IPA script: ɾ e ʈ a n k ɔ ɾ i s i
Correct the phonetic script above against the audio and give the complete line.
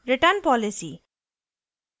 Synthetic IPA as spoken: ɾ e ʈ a n p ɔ l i s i